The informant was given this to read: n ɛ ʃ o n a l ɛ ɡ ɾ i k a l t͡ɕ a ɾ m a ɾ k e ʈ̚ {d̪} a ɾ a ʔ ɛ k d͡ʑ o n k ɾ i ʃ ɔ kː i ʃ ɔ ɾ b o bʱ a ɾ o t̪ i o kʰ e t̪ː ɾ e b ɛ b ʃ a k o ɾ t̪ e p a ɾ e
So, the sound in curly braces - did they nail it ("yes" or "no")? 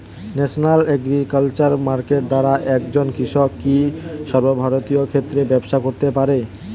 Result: yes